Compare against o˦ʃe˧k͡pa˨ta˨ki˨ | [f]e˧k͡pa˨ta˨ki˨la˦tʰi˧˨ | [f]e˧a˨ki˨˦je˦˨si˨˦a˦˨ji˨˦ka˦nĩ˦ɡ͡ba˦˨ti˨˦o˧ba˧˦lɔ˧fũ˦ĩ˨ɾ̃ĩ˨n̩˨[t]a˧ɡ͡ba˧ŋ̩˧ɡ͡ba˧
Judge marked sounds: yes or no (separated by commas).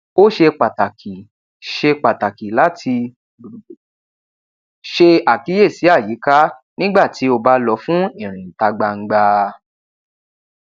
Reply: no, no, yes